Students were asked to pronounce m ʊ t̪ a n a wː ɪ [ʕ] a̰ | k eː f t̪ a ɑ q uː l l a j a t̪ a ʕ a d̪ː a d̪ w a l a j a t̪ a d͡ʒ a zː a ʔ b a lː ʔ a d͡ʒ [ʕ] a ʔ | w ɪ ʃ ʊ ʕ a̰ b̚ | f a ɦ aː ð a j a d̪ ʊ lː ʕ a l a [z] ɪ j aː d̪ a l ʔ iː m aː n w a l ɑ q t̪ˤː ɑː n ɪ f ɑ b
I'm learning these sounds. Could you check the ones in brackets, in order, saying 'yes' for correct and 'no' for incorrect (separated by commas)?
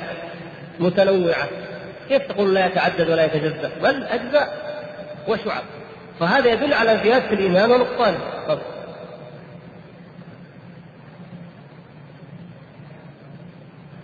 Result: yes, no, yes